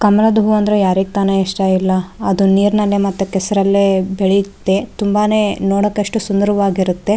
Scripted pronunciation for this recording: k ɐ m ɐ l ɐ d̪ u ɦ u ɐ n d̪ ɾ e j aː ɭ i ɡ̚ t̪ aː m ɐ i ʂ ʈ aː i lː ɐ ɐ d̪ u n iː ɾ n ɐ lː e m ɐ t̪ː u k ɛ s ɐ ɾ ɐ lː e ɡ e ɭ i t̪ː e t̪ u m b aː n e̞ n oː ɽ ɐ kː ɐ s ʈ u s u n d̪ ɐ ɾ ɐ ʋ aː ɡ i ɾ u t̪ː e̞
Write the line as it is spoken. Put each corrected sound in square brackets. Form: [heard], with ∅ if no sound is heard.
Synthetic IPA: k ɐ m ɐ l ɐ d̪ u ɦ u ɐ n d̪ ɾ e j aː [ɾ] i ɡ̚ t̪ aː [n] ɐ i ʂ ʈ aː i lː ɐ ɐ d̪ u n iː ɾ n ɐ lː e m ɐ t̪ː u k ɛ s ɐ ɾ ɐ lː e [b] e ɭ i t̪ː e t̪ u m b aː n e̞ n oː ɽ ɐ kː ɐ [ʂ] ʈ u s u n d̪ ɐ ɾ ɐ ʋ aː ɡ i ɾ u t̪ː e̞